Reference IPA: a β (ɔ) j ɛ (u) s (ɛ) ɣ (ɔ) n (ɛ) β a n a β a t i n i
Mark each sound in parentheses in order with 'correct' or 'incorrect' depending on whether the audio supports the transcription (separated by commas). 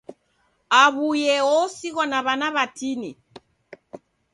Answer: incorrect, incorrect, incorrect, correct, incorrect